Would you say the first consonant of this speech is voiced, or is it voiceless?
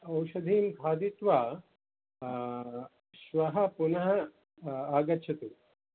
voiced